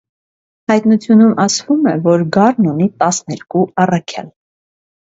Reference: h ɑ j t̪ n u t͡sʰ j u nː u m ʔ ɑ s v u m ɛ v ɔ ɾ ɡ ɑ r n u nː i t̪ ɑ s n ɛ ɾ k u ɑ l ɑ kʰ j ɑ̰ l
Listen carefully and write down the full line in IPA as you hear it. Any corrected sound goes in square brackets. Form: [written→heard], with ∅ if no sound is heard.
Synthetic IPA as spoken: h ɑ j t̪ n u t͡sʰ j u [nː→n] u m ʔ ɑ s v u m ɛ v ɔ ɾ ɡ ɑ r n u [nː→n] i t̪ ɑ s n ɛ ɾ k u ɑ [l→r] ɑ kʰ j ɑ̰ l